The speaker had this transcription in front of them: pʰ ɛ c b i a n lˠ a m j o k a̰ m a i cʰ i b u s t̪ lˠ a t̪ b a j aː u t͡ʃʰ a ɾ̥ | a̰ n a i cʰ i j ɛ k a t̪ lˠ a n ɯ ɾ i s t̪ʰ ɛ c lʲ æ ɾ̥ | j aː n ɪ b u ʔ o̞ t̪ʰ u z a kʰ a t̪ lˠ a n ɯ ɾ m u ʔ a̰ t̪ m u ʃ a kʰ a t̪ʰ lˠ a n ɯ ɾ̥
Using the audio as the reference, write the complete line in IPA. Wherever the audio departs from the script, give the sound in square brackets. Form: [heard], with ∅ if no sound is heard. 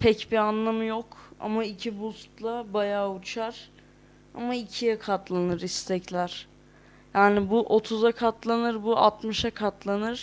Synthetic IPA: pʰ ɛ c b i a n lˠ a m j o k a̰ m a i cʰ i b u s t̪ lˠ a [∅] b a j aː u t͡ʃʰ a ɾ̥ | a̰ [m] a i cʰ i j ɛ [kʰ] a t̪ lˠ a n ɯ ɾ i s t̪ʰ ɛ c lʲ æ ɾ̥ | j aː n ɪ b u ʔ o̞ t̪ʰ u z a kʰ a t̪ lˠ a n ɯ ɾ [b] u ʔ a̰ t̪ m [ɯ] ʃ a kʰ a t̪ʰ lˠ a n ɯ ɾ̥

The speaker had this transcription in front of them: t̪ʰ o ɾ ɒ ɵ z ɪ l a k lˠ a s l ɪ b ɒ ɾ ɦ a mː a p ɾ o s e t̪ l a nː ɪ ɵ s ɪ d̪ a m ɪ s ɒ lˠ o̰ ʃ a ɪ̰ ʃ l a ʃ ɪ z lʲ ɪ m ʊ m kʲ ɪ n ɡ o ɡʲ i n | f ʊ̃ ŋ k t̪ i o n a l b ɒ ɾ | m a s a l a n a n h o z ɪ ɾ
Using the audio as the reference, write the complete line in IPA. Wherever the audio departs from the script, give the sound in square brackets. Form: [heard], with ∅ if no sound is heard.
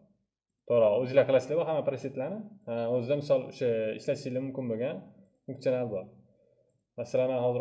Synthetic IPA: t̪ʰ o ɾ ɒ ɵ z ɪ l a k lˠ a s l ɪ b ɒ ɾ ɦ a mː a p ɾ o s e t̪ l a [n] ɪ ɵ [z] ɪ d̪ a m ɪ s ɒ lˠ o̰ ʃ a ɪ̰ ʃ l a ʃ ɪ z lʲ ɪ m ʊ m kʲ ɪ n [b] o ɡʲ [a] n | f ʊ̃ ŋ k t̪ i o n a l b ɒ ɾ | m a s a l a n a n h [ɒ] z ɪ ɾ

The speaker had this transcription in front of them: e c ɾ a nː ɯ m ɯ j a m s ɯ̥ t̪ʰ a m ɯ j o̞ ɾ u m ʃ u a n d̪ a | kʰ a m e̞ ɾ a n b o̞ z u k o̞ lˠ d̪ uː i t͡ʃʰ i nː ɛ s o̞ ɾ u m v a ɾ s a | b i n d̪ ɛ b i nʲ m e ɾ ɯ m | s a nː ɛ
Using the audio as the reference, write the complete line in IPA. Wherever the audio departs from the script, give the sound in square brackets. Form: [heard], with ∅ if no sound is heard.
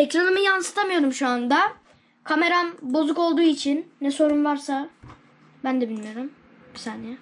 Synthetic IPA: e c ɾ a [n] ɯ m ɯ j a [n] s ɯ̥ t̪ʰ a m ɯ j o̞ ɾ u m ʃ u a n d̪ a | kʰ a m e̞ ɾ a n b o̞ z u k o̞ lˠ d̪ uː i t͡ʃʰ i nː ɛ s o̞ ɾ u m v a ɾ s a | b [æ] n d̪ ɛ b i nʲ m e ɾ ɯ m | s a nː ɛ

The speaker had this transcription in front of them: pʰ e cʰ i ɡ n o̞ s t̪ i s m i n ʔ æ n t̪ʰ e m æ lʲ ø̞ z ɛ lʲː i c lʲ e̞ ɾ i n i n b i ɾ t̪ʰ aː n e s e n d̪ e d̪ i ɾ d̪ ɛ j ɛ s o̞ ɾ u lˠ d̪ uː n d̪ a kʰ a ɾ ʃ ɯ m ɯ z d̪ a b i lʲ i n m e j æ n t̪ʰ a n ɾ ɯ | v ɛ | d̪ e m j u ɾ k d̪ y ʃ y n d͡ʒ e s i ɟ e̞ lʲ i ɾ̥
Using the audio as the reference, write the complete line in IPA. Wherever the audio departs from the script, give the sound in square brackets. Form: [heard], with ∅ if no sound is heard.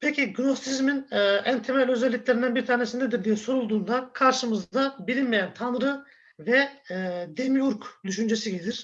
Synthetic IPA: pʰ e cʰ i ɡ n o̞ s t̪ i [z] m i n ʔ æ n t̪ʰ e m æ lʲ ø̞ z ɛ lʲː i c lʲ e̞ ɾ i n [æ] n b i ɾ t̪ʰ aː n e s [i] n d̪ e d̪ i ɾ d̪ [i] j ɛ s o̞ ɾ u lˠ d̪ uː n d̪ a kʰ a ɾ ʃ ɯ m ɯ z d̪ a b i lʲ i n m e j æ n t̪ʰ a n ɾ ɯ | v ɛ | d̪ e m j u ɾ k d̪ y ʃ y n d͡ʒ e s i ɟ e̞ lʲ i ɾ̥

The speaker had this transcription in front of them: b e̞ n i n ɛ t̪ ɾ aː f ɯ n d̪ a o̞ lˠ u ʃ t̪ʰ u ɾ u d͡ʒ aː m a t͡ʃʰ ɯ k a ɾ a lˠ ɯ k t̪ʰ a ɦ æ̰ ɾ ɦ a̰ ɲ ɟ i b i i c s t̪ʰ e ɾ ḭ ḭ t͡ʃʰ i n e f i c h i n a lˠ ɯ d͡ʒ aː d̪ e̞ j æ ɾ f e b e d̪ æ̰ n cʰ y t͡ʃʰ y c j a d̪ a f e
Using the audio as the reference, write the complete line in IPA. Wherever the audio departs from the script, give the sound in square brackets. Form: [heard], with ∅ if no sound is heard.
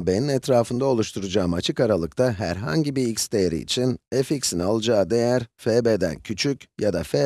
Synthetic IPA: b e̞ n i n ɛ t̪ ɾ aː f ɯ n d̪ a o̞ lˠ u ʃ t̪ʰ u ɾ u d͡ʒ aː m a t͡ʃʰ ɯ k a ɾ a lˠ ɯ k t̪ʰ a ɦ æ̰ ɾ ɦ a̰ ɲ ɟ i b i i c s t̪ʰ e ɾ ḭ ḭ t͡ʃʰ i n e f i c [s] i n a lˠ ɯ d͡ʒ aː d̪ e̞ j æ ɾ f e b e d̪ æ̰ n cʰ y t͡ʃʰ y c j a d̪ a f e

